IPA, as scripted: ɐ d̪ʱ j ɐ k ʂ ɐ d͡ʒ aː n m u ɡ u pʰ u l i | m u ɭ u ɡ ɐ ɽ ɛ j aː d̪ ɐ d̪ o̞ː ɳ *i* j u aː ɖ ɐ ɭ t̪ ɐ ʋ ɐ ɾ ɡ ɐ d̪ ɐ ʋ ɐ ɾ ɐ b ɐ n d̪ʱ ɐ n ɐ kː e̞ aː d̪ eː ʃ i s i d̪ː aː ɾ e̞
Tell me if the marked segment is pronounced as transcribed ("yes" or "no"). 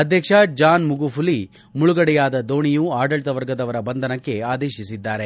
yes